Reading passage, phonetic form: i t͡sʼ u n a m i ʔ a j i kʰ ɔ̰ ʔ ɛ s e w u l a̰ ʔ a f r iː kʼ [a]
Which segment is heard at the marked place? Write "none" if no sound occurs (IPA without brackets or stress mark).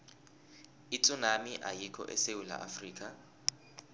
a